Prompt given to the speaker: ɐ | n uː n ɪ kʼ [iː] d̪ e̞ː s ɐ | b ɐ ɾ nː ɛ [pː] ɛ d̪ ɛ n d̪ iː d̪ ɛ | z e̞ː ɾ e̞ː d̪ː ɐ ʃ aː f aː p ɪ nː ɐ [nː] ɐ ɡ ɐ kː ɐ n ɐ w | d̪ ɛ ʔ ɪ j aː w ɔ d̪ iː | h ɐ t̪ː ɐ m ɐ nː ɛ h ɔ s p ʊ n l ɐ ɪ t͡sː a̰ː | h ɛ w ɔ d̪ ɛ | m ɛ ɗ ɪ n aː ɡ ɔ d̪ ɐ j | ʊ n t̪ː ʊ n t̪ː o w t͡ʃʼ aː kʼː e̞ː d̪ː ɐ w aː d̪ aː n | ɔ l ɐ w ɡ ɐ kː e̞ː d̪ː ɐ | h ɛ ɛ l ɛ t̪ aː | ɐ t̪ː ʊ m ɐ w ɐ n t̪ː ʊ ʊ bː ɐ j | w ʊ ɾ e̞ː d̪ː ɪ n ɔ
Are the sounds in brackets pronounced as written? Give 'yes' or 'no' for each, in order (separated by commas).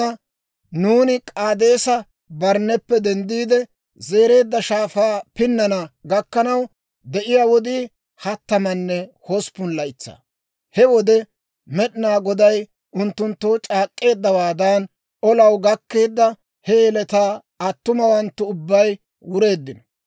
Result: no, yes, no